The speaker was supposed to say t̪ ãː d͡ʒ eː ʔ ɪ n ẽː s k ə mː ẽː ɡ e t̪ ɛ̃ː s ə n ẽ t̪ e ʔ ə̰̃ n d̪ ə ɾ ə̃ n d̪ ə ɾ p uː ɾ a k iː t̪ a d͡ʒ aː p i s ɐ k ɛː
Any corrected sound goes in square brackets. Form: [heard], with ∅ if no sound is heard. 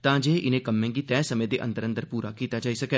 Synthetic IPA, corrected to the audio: t̪ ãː d͡ʒ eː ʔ ɪ n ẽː [∅] k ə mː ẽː ɡ [i] t̪ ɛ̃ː s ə [m] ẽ [d̪] e ʔ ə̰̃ n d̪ ə ɾ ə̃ n d̪ ə ɾ p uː ɾ a k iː t̪ a d͡ʒ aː [∅] i s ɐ k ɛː